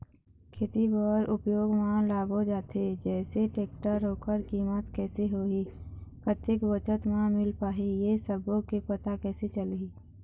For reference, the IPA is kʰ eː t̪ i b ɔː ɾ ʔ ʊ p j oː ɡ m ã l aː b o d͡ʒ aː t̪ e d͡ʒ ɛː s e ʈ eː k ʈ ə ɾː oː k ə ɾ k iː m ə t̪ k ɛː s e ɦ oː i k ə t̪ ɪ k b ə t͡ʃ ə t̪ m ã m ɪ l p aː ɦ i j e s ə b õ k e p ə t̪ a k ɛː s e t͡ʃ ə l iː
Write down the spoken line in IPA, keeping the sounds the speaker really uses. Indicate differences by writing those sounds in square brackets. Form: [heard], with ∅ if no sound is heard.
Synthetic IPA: kʰ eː t̪ i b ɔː ɾ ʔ ʊ p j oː ɡ m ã l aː b o d͡ʒ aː t̪ e d͡ʒ ɛː s e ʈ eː k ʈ ə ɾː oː k ə ɾ k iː m ə t̪ k ɛː s e ɦ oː i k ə t̪ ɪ k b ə t͡ʃ ə t̪ m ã m ɪ l p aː ɦ i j e s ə b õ k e p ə t̪ a k ɛː s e t͡ʃ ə l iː

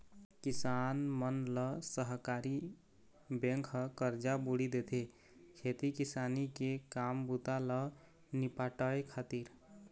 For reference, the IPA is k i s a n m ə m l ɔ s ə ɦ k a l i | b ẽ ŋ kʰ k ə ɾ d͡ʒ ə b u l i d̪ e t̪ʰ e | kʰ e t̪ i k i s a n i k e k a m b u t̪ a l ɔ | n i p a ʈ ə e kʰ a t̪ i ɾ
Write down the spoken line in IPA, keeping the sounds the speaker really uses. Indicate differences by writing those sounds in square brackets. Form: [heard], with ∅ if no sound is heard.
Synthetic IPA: k i s a n m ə [n] l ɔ s ə ɦ k a [ɾ] i | b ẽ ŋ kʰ k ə ɾ d͡ʒ [a] b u [ɽ] i d̪ e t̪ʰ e | kʰ e t̪ i k i s a n i k e k a m b u t̪ a l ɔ | n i p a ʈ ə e kʰ a t̪ i ɾ

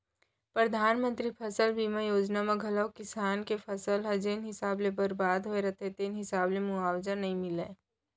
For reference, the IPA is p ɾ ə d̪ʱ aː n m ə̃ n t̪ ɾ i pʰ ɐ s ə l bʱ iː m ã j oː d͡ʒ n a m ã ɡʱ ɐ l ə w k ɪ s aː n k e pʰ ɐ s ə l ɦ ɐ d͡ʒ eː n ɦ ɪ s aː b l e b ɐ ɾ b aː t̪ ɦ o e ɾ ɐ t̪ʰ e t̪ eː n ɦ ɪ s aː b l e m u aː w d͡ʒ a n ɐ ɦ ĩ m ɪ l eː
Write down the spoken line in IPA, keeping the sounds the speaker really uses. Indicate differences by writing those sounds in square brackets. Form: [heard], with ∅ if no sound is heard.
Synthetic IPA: p ɾ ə d̪ʱ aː n m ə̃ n t̪ ɾ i pʰ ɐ s ə l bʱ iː m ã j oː d͡ʒ n a m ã ɡʱ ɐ l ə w k ɪ s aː n k e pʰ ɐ s ə l ɦ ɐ d͡ʒ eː n ɦ ɪ s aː b l e b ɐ ɾ b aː [d̪] ɦ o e ɾ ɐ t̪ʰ e t̪ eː n ɦ ɪ s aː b l e m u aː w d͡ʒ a n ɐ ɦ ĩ m ɪ l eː

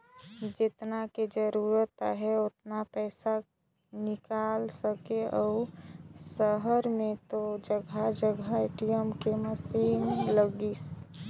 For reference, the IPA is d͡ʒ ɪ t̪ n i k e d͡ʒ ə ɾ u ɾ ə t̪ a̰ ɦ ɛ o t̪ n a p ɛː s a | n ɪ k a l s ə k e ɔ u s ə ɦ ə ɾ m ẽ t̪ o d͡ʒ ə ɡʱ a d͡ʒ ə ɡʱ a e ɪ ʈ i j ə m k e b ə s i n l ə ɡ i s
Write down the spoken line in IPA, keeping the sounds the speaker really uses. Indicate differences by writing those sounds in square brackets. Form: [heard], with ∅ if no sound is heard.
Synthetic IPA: d͡ʒ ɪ t̪ n [a] k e d͡ʒ ə ɾ u ɾ ə t̪ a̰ ɦ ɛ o t̪ n a p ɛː s a | n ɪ k a l s ə k e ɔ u s ə ɦ ə ɾ m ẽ t̪ o d͡ʒ ə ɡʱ a d͡ʒ ə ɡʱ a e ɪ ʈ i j ə m k e [m] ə s i n l ə ɡ i s

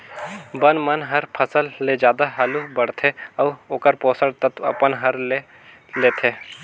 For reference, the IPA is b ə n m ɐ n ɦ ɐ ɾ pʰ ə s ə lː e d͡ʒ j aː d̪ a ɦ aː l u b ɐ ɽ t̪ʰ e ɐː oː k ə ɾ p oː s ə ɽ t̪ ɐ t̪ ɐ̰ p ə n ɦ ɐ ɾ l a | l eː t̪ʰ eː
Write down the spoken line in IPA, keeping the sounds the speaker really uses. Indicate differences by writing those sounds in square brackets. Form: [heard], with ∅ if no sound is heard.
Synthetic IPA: b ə n m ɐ n ɦ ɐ ɾ pʰ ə s ə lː e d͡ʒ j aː d̪ a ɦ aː l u b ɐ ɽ t̪ʰ e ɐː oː k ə ɾ p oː s ə ɽ t̪ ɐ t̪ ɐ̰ p ə n ɦ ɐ ɾ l [e] | l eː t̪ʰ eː

